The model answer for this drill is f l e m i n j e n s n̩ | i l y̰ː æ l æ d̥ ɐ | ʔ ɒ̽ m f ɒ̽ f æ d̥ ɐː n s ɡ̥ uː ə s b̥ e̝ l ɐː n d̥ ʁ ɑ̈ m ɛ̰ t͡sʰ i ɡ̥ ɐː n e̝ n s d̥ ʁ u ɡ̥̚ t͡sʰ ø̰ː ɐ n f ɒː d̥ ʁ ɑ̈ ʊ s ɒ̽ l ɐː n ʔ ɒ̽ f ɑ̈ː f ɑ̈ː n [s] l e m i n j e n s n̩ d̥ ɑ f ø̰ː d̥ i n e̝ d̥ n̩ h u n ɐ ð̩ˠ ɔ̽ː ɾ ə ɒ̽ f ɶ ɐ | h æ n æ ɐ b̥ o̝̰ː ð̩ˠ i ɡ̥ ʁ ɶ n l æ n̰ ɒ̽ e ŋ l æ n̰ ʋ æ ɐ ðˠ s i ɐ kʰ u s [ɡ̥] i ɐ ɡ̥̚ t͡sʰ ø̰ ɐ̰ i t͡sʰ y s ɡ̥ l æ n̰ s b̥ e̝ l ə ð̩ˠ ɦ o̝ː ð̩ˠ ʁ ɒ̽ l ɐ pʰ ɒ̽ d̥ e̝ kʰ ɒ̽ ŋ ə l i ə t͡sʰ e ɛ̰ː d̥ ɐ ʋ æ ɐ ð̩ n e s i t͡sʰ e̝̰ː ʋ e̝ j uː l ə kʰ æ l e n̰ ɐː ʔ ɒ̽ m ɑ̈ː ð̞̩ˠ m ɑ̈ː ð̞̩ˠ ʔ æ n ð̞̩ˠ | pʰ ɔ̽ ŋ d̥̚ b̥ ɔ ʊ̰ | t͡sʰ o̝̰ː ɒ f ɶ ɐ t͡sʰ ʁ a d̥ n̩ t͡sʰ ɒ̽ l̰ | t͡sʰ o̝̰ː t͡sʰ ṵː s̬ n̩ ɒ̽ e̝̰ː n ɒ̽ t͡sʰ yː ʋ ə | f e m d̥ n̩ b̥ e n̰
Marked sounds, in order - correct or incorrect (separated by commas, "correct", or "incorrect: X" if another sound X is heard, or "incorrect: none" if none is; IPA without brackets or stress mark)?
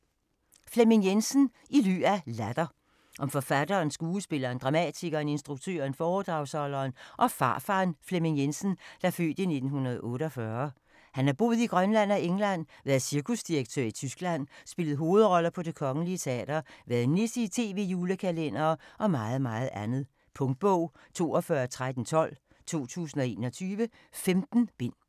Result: incorrect: f, incorrect: d̥